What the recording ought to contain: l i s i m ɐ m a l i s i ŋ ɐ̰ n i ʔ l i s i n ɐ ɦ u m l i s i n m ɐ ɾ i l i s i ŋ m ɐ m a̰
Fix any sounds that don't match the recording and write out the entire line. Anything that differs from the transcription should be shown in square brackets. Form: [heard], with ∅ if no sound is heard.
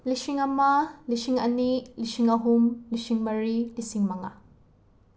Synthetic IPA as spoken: l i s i [ŋ] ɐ m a l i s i ŋ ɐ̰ n i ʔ l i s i [ŋ] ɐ ɦ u m l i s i [ŋ] m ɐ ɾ i l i s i ŋ m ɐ [ŋ] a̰